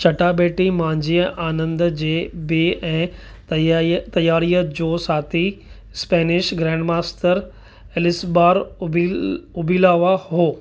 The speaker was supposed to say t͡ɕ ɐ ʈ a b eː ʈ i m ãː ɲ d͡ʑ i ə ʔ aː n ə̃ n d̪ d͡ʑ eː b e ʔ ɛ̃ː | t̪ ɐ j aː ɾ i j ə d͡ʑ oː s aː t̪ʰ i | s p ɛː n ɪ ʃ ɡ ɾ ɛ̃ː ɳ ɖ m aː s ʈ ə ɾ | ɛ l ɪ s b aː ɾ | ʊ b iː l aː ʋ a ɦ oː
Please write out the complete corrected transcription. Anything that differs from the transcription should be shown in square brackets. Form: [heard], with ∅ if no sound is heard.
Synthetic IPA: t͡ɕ ɐ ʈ a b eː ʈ i m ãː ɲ d͡ʑ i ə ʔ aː n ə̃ n d̪ d͡ʑ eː b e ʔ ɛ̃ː | t̪ ɐ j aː ɾ i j ə d͡ʑ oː s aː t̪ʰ i | s p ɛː n ɪ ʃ ɡ ɾ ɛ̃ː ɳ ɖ m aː s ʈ ə ɾ | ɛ l ɪ s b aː ɾ | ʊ b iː l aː ʋ a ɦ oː